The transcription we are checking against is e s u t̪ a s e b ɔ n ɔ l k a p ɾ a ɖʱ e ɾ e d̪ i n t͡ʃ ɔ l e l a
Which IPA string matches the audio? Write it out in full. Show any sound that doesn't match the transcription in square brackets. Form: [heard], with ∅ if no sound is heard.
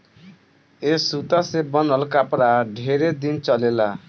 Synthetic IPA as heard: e s u t̪ a s e b ɔ n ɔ l k a p ɾ a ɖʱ e ɾ e d̪ i n t͡ʃ ɔ l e l a